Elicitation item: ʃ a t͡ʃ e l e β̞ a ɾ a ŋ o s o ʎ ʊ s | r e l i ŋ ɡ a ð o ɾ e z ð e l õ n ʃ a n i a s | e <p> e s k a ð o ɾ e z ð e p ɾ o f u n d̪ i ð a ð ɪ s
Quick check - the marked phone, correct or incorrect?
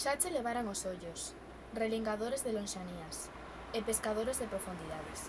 correct